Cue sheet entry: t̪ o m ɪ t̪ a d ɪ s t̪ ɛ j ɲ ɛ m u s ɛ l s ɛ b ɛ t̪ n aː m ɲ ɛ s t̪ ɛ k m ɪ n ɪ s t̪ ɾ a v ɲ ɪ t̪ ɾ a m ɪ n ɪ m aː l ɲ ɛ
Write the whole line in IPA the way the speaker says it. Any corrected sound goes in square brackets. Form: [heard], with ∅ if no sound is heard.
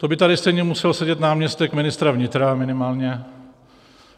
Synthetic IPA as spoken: t̪ o [b] ɪ t̪ a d ɪ s t̪ ɛ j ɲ ɛ m u s ɛ l s ɛ [ɟ] ɛ t̪ n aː m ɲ ɛ s t̪ ɛ k m ɪ n ɪ s t̪ ɾ a v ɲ ɪ t̪ ɾ a m ɪ n ɪ m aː l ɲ ɛ